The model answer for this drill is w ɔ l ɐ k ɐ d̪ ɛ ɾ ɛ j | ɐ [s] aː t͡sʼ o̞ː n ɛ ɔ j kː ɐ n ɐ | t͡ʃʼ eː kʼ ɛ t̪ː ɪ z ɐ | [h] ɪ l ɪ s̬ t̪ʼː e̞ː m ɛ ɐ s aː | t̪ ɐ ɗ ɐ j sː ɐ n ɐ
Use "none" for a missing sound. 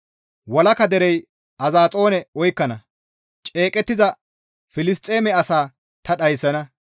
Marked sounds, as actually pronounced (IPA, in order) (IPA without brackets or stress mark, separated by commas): z, f